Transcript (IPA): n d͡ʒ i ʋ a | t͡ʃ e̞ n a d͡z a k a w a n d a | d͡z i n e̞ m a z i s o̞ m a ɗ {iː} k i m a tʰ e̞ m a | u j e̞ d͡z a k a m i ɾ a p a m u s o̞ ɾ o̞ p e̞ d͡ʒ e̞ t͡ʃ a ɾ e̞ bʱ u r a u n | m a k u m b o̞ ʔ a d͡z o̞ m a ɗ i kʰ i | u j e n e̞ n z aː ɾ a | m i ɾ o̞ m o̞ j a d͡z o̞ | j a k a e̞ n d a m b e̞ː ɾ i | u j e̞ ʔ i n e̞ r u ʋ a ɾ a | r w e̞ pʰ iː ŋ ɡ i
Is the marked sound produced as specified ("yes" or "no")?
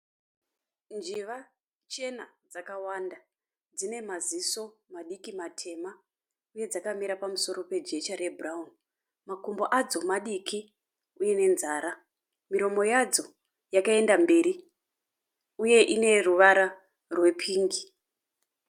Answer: no